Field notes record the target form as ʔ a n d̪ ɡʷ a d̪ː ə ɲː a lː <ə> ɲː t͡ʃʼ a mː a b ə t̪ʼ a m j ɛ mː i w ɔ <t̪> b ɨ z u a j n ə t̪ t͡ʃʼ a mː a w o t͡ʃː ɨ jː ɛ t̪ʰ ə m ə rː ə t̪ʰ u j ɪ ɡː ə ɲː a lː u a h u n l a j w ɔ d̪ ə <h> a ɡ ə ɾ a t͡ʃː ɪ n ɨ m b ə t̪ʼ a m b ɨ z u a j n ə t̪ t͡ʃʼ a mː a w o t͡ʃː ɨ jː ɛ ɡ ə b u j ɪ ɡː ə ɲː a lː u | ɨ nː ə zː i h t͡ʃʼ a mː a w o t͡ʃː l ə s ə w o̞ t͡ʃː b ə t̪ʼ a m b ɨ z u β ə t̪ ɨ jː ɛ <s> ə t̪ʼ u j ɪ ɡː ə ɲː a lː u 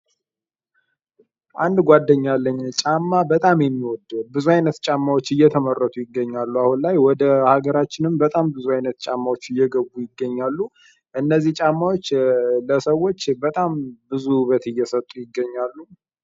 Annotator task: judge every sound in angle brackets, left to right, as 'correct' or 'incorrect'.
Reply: correct, incorrect, correct, correct

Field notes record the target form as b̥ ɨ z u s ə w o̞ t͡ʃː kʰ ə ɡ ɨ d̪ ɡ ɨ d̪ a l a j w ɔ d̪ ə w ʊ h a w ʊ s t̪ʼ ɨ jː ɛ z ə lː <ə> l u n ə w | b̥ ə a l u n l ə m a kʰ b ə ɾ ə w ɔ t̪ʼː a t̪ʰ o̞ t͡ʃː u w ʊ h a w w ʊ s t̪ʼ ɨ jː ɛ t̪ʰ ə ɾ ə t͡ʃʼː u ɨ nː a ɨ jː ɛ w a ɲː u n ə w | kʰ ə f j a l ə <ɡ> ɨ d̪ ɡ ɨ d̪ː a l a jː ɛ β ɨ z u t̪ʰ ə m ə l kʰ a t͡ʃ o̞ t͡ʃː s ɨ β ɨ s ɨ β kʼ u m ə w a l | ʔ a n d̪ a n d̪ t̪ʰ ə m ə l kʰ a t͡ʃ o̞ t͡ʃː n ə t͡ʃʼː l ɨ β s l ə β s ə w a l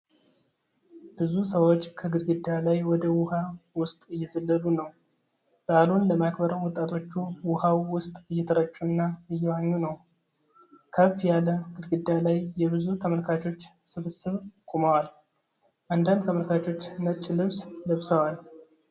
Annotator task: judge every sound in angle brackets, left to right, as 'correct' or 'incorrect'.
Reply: correct, correct

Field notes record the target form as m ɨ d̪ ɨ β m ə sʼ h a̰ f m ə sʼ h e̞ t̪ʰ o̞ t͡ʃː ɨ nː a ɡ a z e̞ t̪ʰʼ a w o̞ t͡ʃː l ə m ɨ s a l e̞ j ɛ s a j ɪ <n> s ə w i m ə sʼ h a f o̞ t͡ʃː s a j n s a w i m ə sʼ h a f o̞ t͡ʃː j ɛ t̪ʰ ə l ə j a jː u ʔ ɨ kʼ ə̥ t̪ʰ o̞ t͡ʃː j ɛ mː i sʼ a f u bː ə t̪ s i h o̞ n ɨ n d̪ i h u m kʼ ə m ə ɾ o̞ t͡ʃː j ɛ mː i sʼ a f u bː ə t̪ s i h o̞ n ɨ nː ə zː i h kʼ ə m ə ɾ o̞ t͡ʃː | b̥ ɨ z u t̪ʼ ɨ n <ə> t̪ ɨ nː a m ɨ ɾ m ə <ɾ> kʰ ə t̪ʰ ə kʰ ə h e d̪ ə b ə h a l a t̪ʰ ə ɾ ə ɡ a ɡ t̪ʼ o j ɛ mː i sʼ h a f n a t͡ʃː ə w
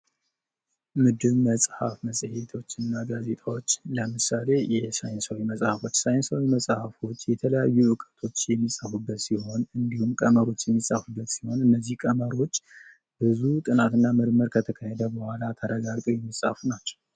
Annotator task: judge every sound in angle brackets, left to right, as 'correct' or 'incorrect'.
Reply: correct, incorrect, correct

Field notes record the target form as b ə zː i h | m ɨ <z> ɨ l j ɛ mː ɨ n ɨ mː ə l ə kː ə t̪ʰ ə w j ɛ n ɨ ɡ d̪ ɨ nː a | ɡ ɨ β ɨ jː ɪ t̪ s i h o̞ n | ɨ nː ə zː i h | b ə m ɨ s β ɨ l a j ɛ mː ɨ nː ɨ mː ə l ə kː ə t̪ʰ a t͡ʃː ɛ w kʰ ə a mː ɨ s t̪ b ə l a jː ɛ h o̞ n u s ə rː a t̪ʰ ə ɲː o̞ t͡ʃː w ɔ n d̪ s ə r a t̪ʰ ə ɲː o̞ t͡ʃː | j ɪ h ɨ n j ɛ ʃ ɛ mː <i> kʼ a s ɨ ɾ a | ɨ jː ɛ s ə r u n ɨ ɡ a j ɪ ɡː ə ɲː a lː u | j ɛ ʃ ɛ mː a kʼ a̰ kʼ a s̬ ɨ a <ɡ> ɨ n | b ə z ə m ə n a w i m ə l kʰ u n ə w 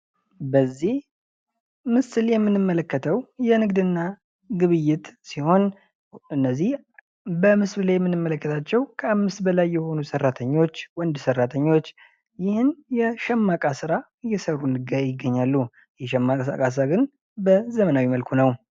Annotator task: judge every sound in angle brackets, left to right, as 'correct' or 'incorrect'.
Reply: incorrect, incorrect, correct

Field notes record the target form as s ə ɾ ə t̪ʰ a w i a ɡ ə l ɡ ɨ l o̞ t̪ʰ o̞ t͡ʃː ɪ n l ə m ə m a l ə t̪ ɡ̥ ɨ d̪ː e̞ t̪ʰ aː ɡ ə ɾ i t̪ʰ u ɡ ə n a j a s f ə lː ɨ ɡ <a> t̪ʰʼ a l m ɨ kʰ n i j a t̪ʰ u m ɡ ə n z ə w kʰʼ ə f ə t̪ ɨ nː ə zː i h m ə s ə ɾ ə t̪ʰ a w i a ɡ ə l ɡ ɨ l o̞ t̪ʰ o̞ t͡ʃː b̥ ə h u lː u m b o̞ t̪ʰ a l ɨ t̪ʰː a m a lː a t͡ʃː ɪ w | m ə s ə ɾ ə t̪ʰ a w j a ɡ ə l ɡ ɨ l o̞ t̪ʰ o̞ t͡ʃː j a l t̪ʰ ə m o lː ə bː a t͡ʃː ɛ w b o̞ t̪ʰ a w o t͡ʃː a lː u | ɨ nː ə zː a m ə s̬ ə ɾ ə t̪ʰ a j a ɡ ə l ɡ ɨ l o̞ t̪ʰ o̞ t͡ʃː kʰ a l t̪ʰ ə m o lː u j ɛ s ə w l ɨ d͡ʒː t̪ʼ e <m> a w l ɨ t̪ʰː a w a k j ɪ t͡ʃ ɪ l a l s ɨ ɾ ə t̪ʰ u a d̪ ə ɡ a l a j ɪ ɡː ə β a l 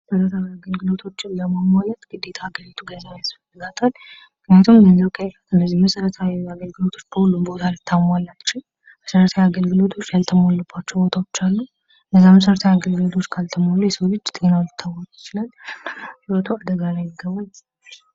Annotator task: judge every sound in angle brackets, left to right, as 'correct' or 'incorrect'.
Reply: correct, incorrect

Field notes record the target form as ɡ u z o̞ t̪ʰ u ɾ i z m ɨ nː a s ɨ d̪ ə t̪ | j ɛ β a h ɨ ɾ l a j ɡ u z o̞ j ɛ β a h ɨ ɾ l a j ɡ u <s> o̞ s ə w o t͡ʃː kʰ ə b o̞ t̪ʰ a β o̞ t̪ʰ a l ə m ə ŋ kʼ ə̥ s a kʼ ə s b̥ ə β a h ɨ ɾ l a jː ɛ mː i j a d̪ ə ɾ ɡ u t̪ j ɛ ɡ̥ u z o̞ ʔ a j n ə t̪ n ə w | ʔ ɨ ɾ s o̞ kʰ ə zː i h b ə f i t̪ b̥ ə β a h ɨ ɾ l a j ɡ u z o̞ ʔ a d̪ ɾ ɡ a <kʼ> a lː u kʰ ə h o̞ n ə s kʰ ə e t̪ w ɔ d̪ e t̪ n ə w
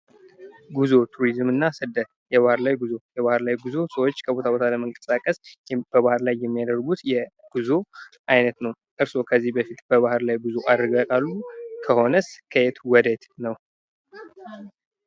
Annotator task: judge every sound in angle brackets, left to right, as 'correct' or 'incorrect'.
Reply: incorrect, correct

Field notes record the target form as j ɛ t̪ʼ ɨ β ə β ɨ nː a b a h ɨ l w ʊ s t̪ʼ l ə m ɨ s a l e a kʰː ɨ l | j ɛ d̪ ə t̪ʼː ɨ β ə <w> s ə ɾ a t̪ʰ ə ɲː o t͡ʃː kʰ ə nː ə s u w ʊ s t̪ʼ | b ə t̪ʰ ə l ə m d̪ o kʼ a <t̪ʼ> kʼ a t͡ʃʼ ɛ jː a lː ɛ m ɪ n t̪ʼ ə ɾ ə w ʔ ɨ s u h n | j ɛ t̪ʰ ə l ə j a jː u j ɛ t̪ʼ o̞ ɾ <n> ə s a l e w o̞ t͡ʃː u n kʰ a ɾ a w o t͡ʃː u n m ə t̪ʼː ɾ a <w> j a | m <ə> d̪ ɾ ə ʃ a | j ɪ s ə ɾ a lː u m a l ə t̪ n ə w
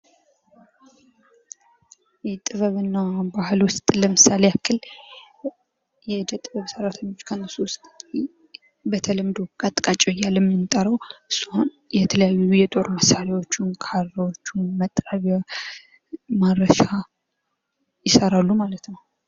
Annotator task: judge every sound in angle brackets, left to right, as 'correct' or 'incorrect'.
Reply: incorrect, correct, incorrect, incorrect, incorrect

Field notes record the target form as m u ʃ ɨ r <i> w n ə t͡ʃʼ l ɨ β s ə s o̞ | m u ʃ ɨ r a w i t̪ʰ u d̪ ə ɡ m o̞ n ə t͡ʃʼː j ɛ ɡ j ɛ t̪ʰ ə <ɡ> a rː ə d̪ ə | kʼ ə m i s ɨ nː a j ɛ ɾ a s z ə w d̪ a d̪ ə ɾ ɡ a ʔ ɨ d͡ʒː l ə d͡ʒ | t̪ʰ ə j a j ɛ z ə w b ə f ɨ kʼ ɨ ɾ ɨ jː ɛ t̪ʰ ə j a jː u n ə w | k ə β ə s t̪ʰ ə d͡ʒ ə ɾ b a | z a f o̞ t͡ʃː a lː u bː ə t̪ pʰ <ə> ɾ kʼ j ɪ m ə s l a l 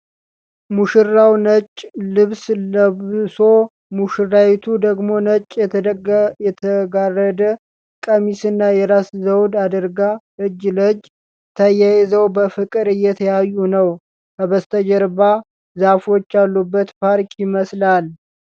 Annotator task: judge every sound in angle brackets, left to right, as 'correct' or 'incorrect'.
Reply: incorrect, correct, incorrect

